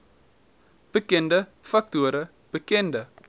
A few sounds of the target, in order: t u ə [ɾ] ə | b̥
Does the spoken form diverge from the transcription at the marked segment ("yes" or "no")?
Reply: no